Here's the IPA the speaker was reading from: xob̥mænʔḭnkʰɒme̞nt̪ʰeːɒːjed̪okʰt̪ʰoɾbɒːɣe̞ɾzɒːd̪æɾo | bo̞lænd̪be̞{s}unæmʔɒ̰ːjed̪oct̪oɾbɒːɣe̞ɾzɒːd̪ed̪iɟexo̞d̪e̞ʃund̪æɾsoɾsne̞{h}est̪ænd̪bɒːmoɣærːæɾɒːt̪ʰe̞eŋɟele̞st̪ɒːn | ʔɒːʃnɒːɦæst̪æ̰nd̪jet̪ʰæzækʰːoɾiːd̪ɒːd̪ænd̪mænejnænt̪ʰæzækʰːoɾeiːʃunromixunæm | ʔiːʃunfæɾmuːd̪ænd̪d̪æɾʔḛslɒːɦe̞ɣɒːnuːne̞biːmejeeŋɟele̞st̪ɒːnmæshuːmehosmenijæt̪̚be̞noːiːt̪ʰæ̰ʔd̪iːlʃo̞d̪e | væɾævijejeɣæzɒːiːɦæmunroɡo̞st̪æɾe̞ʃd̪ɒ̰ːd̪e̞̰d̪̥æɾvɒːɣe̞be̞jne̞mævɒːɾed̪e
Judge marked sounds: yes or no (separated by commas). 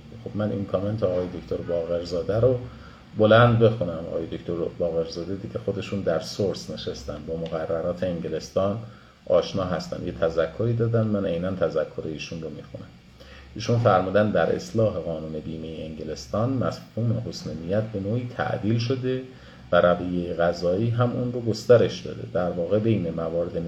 no, no